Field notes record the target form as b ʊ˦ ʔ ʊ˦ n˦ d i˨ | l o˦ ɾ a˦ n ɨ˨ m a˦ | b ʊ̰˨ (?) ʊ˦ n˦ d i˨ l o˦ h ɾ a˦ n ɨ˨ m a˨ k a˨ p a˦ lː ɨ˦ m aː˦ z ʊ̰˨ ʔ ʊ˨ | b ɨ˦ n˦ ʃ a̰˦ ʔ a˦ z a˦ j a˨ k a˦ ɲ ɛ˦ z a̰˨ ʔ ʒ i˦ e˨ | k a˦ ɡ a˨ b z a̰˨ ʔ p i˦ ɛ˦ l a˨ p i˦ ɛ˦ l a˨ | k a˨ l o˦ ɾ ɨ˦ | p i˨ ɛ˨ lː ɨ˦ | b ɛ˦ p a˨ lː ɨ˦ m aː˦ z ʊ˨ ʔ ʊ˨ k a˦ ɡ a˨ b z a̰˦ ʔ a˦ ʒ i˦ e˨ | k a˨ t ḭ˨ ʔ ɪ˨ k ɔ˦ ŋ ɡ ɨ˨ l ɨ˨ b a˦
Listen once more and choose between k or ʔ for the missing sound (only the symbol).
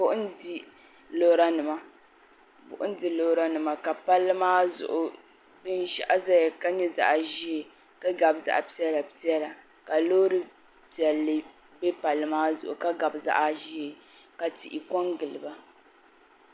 ʔ